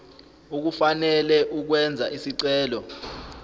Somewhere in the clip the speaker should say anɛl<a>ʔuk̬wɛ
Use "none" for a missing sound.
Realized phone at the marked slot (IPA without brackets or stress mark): ɛ